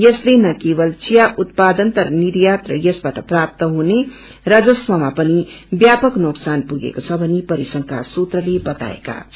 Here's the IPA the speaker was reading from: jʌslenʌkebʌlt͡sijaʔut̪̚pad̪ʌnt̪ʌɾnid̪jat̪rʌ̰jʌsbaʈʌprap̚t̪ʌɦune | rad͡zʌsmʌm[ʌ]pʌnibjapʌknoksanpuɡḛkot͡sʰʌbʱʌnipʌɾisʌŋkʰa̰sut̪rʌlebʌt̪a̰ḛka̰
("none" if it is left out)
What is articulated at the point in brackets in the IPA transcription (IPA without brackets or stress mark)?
a